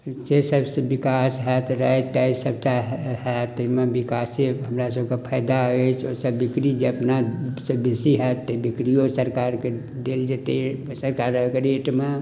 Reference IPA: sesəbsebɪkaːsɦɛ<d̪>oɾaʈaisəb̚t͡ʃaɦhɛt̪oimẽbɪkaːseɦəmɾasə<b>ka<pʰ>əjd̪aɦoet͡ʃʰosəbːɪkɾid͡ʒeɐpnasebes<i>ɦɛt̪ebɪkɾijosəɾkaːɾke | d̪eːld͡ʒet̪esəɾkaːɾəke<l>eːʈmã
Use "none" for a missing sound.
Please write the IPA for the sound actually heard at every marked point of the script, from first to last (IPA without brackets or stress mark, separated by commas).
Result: t̪, b, pʰ, i, ɾ